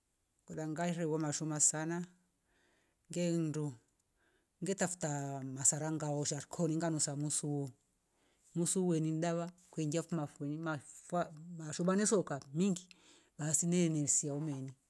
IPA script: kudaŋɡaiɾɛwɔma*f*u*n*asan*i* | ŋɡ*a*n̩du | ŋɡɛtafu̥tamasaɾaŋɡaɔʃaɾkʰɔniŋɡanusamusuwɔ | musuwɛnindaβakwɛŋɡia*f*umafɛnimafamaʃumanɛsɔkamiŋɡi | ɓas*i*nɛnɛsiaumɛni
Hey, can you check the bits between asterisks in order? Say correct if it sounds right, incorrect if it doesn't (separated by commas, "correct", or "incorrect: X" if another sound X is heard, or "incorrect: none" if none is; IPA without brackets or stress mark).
incorrect: ʃ, incorrect: m, incorrect: a, incorrect: ɛ, correct, correct